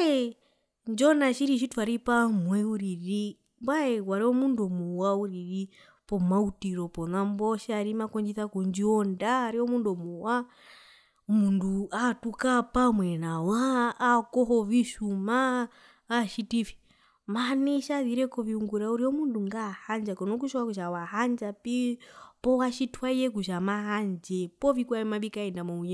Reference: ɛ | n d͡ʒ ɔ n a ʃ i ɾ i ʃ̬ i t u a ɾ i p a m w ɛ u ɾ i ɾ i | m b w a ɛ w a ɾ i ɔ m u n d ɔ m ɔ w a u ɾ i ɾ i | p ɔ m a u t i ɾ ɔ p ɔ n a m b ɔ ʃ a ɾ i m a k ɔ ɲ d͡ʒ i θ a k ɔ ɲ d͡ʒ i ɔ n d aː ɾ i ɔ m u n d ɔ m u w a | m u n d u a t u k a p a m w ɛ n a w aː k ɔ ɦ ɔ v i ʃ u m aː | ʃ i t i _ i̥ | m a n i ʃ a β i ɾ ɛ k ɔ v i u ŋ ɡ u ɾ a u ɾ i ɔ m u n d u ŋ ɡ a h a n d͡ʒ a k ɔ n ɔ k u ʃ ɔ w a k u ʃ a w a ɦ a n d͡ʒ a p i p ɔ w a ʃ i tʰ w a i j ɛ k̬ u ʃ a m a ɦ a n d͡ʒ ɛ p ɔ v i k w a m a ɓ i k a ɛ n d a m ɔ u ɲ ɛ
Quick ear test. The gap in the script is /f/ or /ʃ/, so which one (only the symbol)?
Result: f